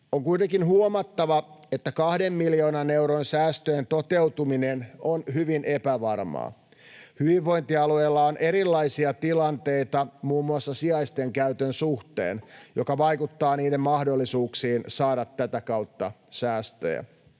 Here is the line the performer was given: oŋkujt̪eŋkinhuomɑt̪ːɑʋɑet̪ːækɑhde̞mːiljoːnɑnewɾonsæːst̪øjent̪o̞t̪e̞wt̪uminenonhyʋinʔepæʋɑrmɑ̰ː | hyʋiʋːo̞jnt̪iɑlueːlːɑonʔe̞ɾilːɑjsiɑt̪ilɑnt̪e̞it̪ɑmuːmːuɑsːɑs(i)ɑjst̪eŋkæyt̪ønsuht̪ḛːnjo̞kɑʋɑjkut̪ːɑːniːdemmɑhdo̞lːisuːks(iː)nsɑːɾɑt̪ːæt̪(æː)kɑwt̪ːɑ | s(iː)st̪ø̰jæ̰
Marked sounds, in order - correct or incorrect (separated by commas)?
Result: correct, correct, incorrect, incorrect